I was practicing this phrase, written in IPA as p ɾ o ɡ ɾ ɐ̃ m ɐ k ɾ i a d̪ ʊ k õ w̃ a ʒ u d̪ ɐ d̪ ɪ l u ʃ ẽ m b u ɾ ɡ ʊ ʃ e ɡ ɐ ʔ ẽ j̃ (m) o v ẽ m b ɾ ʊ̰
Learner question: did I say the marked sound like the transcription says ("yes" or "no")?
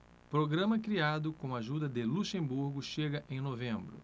no